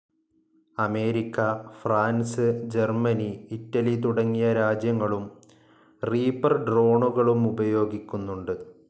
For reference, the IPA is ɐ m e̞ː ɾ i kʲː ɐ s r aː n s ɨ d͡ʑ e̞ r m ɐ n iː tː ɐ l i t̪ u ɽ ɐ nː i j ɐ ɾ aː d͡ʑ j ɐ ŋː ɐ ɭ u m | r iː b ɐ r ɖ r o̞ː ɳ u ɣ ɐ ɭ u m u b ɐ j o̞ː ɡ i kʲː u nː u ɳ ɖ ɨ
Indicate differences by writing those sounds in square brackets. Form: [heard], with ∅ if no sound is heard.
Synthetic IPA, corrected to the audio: ɐ m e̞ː ɾ i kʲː ɐ [f] r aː n s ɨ d͡ʑ e̞ r m ɐ n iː tː ɐ l i t̪ u ɽ ɐ [ŋː] i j ɐ ɾ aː d͡ʑ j ɐ ŋː ɐ ɭ u m | r iː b ɐ r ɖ r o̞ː ɳ u ɣ ɐ ɭ u m u b ɐ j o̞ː ɡ i kʲː u nː u ɳ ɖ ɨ